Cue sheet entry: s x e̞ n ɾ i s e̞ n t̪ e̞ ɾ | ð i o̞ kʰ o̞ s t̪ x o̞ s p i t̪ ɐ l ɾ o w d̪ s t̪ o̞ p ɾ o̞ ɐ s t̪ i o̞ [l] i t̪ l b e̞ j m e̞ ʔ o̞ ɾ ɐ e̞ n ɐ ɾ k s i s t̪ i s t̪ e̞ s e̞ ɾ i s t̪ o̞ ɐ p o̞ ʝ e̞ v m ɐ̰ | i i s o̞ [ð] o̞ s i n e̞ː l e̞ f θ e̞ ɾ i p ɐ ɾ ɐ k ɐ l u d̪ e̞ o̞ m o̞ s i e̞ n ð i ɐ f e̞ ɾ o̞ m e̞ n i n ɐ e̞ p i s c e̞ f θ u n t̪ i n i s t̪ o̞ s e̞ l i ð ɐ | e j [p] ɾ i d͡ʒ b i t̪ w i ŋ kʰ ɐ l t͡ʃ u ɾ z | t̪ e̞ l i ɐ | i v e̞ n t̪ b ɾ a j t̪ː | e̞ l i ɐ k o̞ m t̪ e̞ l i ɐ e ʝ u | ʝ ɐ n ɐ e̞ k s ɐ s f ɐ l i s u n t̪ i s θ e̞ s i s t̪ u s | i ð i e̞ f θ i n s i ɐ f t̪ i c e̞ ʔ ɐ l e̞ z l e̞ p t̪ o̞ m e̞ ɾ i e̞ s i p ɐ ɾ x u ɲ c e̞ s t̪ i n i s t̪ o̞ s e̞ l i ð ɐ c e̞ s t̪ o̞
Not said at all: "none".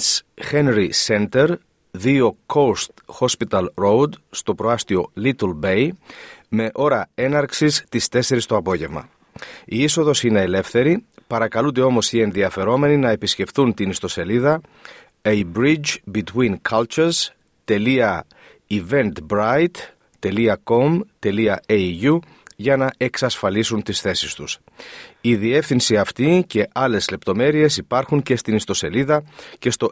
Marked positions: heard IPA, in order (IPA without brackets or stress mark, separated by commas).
l, ð, b